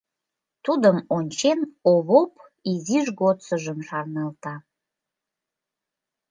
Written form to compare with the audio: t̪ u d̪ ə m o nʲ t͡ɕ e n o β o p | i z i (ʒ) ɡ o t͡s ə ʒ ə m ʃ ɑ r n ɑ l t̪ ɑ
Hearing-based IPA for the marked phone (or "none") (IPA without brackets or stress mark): ʒ